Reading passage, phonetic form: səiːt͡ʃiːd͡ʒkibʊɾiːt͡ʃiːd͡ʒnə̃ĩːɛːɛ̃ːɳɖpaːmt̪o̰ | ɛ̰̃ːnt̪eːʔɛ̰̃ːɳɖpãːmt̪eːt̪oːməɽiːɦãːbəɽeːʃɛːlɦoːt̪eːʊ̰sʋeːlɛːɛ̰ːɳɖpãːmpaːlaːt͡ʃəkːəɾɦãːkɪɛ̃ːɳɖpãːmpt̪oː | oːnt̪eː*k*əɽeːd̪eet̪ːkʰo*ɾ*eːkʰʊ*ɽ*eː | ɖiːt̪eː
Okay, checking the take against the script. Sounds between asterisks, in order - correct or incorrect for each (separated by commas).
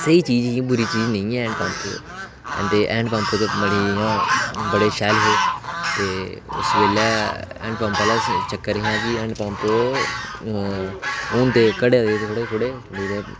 correct, incorrect, correct